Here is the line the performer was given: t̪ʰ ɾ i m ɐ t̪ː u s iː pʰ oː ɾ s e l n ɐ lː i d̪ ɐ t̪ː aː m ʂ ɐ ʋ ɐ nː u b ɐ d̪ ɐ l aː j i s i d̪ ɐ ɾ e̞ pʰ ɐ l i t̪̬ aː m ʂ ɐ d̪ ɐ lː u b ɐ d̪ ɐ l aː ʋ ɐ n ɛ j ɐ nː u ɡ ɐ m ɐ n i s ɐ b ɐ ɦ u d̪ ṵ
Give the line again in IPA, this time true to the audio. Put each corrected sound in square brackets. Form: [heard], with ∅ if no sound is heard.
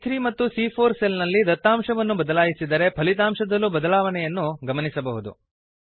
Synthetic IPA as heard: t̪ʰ ɾ i m ɐ t̪ː u s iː pʰ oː ɾ s e l n ɐ lː i d̪ ɐ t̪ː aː m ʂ ɐ ʋ ɐ nː u b ɐ d̪ ɐ l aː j i s i d̪ ɐ ɾ e̞ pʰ ɐ l i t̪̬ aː m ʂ ɐ d̪ ɐ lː u b ɐ d̪ ɐ l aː ʋ ɐ n ɛ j ɐ nː u ɡ ɐ m ɐ n i s ɐ b ɐ ɦ u d̪ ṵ